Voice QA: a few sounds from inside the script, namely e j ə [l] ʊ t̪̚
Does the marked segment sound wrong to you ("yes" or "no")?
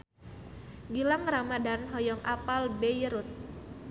yes